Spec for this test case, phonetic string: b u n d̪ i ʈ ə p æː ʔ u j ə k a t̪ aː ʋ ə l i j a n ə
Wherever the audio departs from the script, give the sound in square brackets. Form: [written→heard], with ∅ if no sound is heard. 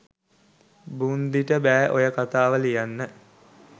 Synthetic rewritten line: b u n d̪ i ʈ ə [p→b] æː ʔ [u→o] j ə k a t̪ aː ʋ ə l i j a [n→nː] ə